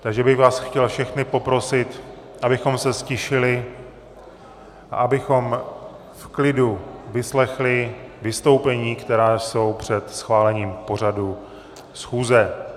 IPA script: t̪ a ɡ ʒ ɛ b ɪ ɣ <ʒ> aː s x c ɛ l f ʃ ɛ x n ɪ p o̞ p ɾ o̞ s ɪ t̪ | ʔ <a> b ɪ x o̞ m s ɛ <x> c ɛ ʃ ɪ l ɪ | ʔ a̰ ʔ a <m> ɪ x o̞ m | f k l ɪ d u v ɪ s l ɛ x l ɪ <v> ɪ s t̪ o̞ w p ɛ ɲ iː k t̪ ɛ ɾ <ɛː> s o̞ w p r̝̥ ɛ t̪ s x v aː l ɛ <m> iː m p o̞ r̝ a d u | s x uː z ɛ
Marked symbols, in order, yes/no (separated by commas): no, yes, no, no, yes, no, no